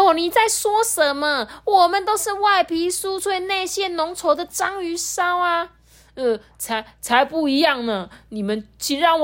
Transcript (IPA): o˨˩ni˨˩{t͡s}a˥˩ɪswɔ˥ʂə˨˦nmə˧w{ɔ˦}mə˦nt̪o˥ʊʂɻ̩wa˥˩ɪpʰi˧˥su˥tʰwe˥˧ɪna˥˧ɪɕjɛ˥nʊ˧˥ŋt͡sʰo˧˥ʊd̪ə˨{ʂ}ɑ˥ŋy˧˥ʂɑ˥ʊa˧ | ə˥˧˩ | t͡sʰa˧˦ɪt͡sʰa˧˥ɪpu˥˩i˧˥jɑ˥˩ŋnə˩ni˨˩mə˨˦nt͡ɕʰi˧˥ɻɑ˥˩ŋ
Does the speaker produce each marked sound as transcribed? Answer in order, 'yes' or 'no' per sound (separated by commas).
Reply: yes, no, no